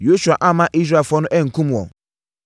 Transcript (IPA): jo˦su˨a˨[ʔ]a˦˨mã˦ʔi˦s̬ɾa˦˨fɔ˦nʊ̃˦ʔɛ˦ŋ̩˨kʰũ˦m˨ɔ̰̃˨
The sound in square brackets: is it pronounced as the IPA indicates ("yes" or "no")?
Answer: yes